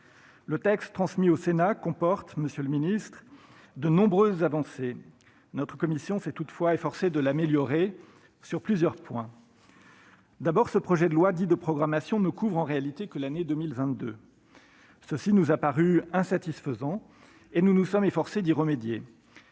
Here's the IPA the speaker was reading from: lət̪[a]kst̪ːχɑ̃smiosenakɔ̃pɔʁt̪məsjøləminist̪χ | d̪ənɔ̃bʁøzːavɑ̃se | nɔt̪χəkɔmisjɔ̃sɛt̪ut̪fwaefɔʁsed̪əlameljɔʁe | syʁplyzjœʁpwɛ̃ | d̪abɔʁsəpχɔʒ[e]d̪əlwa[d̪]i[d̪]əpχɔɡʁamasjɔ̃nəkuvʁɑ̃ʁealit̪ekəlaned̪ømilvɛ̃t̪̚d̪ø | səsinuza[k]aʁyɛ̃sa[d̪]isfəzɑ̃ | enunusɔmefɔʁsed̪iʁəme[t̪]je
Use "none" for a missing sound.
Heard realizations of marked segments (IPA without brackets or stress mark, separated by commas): ɛ, ɛ, d̪, d̪, p, t̪, d̪